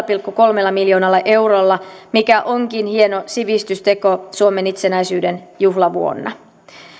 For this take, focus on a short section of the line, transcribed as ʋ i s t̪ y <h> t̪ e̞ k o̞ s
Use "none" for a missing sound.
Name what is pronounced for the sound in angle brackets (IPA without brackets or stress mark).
s